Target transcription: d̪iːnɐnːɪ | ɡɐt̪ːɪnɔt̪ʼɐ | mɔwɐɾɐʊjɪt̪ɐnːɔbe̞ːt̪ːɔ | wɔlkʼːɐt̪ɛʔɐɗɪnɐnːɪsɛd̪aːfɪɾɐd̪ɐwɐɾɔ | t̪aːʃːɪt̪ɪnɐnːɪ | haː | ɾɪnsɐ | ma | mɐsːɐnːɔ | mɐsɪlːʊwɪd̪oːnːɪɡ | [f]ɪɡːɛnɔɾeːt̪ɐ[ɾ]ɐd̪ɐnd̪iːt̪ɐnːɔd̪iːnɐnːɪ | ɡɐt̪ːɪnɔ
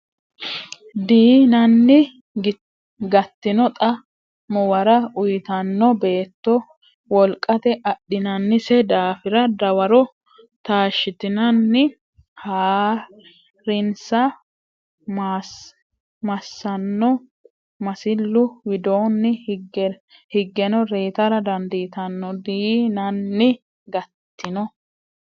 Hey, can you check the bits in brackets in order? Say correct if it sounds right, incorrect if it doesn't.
incorrect: h, correct

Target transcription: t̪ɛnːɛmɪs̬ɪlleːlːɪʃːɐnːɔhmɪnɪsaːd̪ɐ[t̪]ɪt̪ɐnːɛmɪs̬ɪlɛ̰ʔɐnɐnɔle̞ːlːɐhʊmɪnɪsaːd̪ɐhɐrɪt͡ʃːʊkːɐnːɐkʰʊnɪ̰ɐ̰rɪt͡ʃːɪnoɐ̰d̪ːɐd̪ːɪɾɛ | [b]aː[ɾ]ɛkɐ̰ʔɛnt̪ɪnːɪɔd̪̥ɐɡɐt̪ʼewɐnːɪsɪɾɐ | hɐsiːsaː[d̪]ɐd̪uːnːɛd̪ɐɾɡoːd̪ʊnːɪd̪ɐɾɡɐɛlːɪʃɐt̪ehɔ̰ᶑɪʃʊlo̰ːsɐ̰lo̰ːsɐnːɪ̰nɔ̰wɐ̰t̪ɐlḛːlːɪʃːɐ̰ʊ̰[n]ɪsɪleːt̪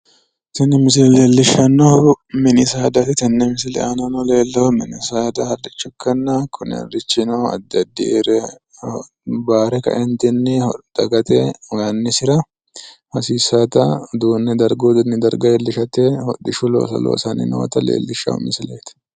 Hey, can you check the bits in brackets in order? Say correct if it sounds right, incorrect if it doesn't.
correct, correct, correct, incorrect: t̪, incorrect: m

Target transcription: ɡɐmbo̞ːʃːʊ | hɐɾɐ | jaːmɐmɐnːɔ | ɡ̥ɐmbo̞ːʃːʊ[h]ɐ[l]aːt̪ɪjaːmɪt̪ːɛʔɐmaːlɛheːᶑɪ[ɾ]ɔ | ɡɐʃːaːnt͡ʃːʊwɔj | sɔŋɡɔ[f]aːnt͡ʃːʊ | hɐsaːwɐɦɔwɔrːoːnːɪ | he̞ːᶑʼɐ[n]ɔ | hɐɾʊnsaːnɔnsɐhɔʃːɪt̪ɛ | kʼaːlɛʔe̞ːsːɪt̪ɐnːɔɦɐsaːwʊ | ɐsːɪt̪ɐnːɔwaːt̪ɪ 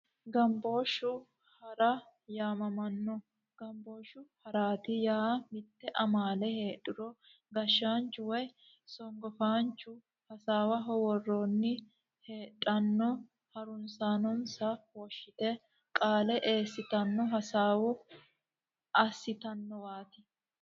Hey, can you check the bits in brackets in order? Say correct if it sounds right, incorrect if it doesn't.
correct, incorrect: ɾ, correct, correct, incorrect: nː

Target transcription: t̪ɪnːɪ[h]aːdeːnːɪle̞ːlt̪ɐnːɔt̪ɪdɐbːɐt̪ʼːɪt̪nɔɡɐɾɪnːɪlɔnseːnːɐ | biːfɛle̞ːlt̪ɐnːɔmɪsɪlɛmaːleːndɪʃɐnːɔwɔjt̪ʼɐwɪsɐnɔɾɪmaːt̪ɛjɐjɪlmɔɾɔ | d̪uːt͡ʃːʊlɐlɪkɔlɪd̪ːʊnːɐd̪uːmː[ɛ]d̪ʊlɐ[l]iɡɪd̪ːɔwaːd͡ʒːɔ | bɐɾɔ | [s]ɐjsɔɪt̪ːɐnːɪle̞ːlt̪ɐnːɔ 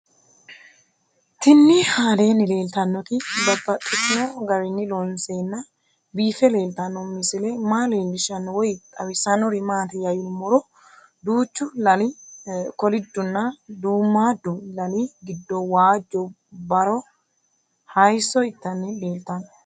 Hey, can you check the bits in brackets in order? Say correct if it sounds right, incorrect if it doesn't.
correct, incorrect: a, correct, incorrect: h

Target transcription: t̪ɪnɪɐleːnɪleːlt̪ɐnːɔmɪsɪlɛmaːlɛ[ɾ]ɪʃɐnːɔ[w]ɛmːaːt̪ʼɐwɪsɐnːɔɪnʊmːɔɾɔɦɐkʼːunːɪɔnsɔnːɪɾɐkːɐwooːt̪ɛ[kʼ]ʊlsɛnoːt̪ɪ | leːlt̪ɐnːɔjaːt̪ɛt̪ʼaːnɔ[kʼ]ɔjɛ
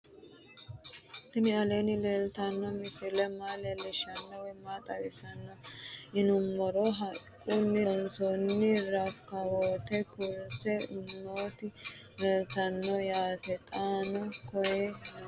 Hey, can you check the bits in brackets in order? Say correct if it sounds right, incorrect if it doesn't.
incorrect: l, correct, incorrect: k, incorrect: k

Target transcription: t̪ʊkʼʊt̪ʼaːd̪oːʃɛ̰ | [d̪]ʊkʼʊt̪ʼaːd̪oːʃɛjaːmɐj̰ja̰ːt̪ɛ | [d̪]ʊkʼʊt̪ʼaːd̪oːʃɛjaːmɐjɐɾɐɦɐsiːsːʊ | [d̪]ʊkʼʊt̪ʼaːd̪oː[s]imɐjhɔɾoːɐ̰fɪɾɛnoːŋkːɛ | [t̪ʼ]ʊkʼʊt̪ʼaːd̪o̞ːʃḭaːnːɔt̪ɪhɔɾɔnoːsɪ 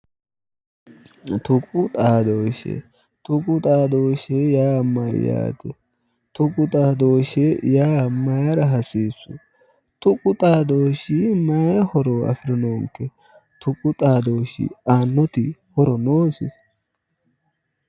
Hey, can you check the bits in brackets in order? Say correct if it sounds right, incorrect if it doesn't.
incorrect: t̪, incorrect: t̪, incorrect: t̪, incorrect: ʃ, incorrect: t̪

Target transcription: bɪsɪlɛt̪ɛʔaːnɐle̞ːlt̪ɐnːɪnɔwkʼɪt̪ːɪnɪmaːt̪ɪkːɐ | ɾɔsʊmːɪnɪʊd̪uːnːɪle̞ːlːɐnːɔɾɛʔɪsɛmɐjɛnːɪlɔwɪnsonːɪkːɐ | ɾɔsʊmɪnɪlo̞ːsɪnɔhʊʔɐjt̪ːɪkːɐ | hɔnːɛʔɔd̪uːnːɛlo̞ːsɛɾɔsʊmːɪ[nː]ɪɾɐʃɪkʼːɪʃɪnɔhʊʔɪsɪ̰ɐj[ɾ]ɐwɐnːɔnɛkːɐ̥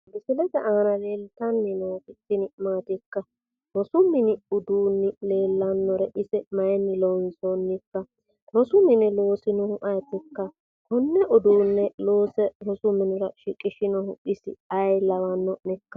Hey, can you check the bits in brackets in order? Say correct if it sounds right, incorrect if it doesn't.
incorrect: n, incorrect: l

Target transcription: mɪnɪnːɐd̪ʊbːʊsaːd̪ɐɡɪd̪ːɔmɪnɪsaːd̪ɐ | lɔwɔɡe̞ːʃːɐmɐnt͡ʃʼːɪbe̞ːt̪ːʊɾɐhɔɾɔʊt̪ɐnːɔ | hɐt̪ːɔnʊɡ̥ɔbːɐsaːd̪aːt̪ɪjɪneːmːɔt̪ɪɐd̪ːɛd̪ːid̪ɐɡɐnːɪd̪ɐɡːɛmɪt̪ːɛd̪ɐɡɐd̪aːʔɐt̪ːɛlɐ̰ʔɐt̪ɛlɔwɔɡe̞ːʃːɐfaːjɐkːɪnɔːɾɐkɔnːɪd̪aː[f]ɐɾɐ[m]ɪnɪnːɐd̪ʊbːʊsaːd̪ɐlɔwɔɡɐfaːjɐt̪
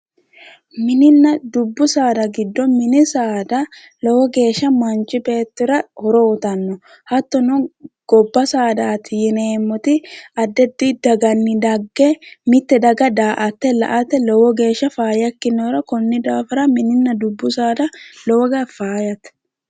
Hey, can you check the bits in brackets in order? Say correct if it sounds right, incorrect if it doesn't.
correct, correct

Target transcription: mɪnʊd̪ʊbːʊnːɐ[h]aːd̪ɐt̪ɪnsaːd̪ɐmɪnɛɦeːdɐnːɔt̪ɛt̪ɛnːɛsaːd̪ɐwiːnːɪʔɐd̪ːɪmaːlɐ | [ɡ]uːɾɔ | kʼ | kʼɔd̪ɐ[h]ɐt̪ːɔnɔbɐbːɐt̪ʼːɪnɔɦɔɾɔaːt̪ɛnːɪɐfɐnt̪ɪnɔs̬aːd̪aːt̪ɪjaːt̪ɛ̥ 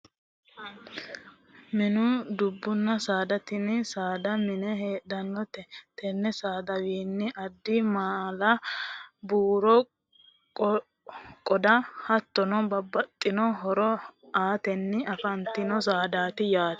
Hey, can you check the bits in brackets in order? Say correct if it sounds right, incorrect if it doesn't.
incorrect: s, incorrect: b, correct

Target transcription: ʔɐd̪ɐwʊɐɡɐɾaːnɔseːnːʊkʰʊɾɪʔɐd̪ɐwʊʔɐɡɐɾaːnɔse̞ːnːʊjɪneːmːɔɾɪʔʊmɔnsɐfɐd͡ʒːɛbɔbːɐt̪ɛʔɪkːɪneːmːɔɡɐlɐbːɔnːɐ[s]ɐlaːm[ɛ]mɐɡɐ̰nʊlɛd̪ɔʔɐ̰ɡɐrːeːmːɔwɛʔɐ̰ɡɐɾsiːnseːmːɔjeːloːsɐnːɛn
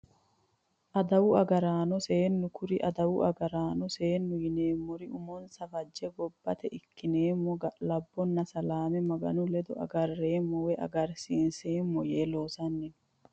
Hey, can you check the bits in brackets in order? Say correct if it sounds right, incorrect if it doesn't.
correct, correct

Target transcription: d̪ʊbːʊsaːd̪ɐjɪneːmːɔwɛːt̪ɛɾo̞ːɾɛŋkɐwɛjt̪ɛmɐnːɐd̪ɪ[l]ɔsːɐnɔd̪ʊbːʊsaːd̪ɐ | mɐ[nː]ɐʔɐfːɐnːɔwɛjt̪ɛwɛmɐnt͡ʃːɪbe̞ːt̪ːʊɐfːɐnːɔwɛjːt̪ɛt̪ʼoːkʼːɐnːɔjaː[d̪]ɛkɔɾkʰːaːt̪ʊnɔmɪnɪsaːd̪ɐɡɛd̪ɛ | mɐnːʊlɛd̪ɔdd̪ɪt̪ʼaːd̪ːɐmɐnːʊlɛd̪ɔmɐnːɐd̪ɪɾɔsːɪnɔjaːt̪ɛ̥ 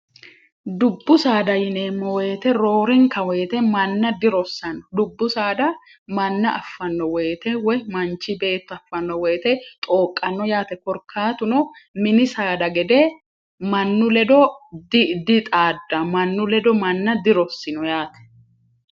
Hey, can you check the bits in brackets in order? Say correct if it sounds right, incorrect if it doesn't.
incorrect: ɾ, correct, incorrect: t̪

